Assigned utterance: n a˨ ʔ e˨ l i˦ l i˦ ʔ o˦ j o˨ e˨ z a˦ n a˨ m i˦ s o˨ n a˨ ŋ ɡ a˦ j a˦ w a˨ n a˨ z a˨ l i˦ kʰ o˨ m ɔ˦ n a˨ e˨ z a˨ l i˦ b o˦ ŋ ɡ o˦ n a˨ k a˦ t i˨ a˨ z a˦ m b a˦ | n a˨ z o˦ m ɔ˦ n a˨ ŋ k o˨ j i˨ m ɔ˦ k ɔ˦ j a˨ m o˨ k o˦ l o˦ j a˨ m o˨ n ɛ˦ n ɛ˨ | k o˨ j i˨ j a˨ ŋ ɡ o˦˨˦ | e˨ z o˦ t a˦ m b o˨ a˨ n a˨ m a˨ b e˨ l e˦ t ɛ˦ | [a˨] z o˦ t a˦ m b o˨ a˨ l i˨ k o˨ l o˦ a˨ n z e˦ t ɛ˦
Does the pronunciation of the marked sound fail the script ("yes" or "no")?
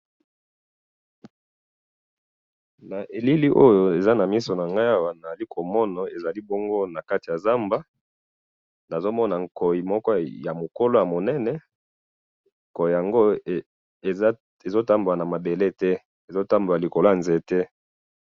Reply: yes